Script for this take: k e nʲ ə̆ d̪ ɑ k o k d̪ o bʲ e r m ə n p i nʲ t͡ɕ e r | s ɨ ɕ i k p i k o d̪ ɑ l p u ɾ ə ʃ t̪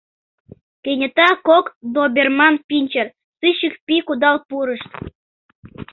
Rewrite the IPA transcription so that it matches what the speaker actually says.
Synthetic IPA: k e nʲ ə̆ t̪ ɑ k o k d̪ o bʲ e r m ɑ n p i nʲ t͡ɕ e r | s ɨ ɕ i k p i k u d̪ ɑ l p u ɾ ə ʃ t̪